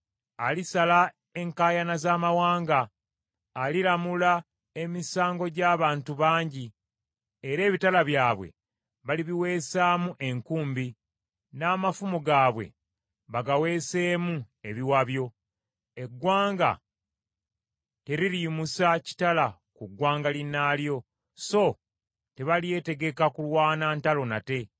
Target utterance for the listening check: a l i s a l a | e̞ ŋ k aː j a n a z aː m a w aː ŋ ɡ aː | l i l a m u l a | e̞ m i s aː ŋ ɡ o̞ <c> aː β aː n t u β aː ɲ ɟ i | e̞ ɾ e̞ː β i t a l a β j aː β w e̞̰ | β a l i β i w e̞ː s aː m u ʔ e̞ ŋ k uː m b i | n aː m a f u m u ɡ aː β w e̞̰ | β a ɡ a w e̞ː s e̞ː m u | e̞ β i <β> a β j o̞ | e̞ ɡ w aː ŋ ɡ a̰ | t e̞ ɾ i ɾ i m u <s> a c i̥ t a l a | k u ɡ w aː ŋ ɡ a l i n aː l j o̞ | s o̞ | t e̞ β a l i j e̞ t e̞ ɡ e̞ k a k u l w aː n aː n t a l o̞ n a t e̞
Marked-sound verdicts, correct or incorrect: incorrect: ɟ, incorrect: w, correct

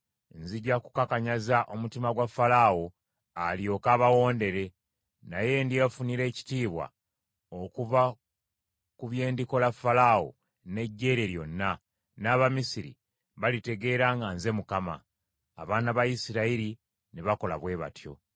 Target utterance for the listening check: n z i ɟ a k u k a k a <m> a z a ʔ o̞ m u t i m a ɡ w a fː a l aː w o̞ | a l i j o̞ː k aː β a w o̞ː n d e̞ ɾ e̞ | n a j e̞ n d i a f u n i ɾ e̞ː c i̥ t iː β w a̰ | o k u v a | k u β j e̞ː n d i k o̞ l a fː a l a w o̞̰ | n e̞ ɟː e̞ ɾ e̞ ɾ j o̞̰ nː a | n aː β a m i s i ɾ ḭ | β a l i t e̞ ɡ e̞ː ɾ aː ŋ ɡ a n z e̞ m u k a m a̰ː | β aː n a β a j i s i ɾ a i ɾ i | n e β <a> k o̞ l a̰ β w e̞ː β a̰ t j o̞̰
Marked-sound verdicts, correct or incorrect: incorrect: ɲ, correct

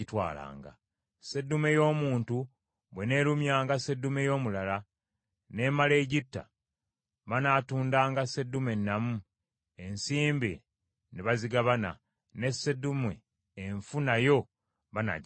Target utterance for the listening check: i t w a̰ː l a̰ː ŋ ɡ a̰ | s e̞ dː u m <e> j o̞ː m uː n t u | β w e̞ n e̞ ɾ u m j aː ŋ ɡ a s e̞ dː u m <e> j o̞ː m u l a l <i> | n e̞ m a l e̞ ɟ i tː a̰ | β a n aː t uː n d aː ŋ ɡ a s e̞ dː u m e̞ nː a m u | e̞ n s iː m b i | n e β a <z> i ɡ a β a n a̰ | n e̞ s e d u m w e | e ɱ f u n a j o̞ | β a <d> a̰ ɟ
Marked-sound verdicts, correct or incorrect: correct, correct, incorrect: a, correct, incorrect: n

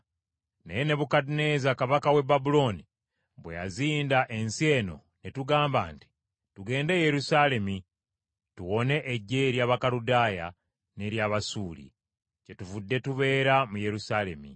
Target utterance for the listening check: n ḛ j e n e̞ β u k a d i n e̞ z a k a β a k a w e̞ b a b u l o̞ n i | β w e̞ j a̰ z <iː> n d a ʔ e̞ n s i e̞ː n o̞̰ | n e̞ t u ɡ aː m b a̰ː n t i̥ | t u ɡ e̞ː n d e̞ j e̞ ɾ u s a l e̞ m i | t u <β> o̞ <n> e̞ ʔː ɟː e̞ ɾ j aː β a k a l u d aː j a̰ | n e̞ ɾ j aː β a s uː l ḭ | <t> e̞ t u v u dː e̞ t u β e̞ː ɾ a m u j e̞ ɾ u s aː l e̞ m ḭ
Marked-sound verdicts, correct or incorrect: correct, incorrect: w, correct, incorrect: c

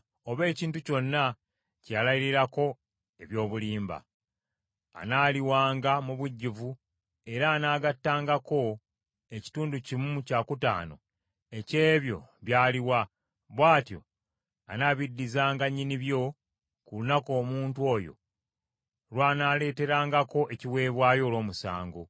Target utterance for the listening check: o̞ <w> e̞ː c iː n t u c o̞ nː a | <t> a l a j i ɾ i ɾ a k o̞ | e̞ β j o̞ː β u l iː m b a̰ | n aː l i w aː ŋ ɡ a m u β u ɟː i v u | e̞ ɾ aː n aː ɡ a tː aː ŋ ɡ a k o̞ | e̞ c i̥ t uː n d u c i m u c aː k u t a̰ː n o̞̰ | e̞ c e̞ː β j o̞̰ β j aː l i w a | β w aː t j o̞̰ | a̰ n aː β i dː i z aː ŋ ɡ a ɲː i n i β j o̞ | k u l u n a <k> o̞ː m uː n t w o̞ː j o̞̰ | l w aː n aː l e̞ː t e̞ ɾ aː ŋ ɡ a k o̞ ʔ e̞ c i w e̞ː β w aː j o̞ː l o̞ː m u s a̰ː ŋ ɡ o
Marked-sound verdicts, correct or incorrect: incorrect: β, incorrect: c, correct

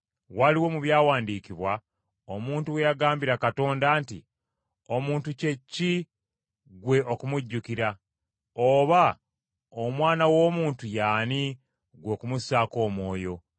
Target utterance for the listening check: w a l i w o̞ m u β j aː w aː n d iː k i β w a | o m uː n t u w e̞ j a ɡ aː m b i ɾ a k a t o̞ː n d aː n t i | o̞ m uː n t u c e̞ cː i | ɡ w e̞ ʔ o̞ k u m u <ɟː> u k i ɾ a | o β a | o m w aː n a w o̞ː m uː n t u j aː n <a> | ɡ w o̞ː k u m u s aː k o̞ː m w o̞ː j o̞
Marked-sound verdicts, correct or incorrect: correct, incorrect: i

